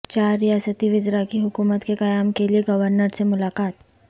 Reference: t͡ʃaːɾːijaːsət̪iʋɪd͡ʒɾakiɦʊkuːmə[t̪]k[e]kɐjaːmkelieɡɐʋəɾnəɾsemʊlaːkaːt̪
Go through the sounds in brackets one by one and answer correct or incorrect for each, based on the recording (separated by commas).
correct, correct